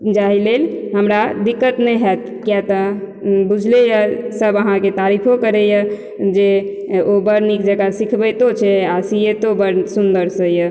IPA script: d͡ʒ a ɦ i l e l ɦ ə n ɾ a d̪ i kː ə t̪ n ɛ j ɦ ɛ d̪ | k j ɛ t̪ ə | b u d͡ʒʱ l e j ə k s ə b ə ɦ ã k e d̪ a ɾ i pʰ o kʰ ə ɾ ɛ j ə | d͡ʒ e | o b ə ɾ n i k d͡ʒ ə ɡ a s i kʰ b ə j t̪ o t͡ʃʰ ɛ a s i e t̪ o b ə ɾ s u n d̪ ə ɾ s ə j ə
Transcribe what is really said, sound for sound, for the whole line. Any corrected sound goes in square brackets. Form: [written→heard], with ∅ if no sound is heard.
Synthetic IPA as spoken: d͡ʒ a ɦ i l e l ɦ ə [n→m] ɾ a d̪ i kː ə t̪ n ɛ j ɦ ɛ [d̪→t̪] | k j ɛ t̪ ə | b u d͡ʒʱ l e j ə [k→∅] s ə b ə ɦ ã k e [d̪→t̪] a ɾ i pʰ o [kʰ→k] ə ɾ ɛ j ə | d͡ʒ e | o b ə ɾ n i k d͡ʒ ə ɡ a s i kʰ b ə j t̪ o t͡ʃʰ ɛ a s i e t̪ o b ə ɾ s u n d̪ ə ɾ s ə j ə